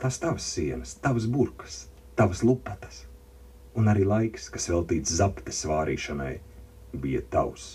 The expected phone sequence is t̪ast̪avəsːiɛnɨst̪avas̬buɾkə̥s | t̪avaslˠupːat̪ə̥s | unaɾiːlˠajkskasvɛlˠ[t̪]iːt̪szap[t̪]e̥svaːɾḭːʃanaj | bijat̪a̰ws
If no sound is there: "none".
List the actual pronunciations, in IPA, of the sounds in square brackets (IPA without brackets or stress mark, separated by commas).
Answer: t̪, t̪